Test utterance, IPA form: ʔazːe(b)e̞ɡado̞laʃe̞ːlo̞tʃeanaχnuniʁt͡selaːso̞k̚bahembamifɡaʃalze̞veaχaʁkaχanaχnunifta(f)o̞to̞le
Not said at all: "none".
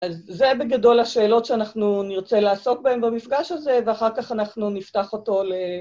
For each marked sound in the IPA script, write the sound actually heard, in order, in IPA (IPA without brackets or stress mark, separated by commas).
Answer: b, χ